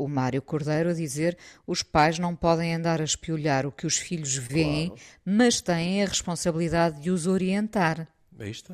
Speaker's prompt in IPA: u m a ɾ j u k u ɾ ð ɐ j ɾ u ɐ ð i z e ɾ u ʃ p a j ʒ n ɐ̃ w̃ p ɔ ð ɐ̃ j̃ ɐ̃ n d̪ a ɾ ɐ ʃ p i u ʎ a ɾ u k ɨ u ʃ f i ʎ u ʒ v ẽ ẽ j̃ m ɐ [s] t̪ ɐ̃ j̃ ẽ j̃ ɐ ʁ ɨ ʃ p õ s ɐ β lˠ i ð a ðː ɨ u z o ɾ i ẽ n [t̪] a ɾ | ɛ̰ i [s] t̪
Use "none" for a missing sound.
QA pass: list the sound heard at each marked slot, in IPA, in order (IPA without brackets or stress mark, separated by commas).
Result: ʃ, t̪, ʃ